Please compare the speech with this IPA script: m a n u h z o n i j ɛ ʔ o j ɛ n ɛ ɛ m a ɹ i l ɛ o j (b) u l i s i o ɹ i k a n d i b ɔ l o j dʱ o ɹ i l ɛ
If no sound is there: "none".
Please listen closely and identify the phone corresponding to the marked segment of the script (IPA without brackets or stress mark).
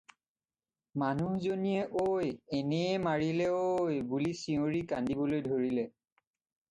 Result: b